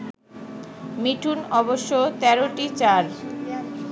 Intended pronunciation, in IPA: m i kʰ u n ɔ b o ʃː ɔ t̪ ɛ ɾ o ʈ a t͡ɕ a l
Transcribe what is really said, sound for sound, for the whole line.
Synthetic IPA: m i ʈʰ u n ɔ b o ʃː o t̪ ɛ ɾ o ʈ i t͡ɕ a ɾ

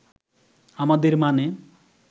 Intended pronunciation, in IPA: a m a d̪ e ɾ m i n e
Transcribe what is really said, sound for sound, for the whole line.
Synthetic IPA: a m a d̪ e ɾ m a n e

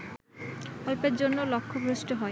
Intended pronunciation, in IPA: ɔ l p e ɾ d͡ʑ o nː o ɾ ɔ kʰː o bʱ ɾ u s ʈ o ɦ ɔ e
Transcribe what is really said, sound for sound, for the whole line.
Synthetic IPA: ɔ l p e ɾ d͡ʑ o nː o l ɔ kʰː o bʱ ɾ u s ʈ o ɦ ɔ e

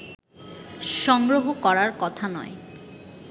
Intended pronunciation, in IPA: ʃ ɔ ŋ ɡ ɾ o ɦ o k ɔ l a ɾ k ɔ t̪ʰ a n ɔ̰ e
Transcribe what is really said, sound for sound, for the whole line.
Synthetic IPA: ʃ ɔ ŋ ɡ ɾ o ɦ o k ɔ ɾ a ɾ k ɔ t̪ʰ a n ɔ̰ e

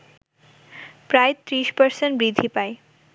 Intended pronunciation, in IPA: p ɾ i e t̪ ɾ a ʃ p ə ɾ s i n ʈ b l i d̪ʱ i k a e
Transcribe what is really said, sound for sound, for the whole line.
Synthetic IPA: p ɾ a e t̪ ɾ i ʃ p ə ɾ s e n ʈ b ɾ i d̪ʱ i p a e

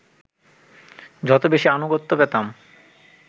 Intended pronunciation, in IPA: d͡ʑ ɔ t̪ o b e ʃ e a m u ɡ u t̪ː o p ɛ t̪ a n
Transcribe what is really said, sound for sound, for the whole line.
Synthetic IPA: d͡ʑ ɔ t̪ o b e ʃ i a n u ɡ o t̪ː o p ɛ t̪ a m

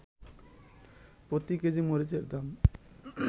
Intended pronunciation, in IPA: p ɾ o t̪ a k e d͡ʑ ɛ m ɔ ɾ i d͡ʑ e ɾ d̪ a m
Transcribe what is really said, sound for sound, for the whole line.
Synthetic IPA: p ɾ o t̪ i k e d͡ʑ i m o ɾ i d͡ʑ e ɾ d̪ a m

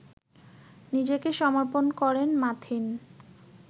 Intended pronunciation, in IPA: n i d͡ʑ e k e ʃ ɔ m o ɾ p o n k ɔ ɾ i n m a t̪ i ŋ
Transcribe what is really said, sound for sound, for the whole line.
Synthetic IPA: n i d͡ʑ e k e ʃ ɔ m o ɾ p o n k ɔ ɾ e n m a t̪ʰ i n

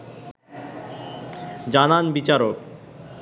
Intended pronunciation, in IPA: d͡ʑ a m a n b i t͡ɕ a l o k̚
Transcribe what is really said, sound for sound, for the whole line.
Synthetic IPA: d͡ʑ a n a n b i t͡ɕ a ɾ o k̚

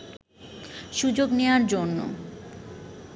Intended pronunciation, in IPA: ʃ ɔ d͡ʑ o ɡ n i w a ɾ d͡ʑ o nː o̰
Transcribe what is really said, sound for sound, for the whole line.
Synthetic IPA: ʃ u d͡ʑ o ɡ n e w a ɾ d͡ʑ o nː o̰

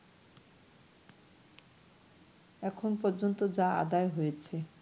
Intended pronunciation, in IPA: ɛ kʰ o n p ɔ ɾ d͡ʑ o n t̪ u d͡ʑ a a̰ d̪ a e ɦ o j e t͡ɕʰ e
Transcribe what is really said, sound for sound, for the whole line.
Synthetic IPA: ɛ kʰ o n p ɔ ɾ d͡ʑ o n t̪ o d͡ʑ a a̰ d̪ a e ɦ o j e t͡ɕʰ e

